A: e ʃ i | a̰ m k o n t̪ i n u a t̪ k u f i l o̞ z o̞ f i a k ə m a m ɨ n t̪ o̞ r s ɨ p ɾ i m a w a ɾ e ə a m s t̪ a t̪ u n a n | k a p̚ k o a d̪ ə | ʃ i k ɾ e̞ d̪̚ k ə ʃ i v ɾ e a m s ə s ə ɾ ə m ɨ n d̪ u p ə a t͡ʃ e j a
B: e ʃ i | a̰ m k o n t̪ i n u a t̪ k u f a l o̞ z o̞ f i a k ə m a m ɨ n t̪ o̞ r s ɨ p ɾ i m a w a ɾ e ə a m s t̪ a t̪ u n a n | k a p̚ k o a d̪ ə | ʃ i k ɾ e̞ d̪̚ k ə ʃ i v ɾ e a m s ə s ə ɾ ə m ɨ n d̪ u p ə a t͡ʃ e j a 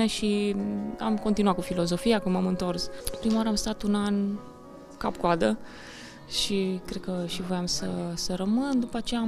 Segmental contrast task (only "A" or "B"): A